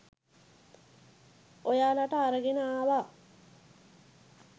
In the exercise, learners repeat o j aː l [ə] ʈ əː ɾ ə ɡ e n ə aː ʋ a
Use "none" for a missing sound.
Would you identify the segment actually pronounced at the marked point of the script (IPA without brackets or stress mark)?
a